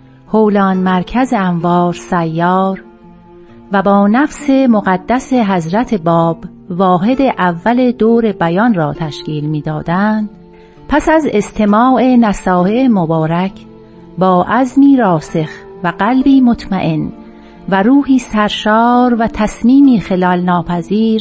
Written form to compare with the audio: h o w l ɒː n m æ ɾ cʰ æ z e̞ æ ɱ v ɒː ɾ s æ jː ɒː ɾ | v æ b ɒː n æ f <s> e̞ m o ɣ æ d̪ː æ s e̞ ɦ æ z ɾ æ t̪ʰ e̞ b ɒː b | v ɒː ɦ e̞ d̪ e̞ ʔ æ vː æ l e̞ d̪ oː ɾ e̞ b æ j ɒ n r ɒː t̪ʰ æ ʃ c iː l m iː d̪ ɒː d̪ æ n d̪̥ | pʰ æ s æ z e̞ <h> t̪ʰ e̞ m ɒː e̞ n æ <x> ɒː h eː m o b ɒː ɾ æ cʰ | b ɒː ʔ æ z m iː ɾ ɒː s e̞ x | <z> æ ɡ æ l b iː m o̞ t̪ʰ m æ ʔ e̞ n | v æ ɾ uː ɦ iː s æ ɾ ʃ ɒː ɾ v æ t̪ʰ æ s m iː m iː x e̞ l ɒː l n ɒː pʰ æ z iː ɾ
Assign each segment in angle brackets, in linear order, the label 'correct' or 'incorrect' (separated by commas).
correct, incorrect, incorrect, incorrect